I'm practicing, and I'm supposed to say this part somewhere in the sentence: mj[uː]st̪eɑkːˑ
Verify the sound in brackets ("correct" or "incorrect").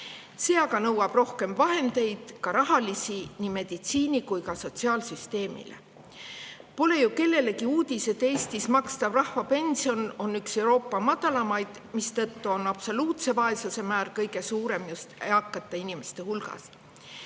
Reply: incorrect